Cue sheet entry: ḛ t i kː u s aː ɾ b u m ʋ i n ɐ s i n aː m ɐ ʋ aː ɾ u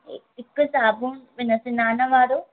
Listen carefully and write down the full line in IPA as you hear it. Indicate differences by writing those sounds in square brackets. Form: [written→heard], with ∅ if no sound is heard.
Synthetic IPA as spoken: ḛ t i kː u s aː [ɾ→∅] b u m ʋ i n ɐ s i n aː [m→n] ɐ ʋ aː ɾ u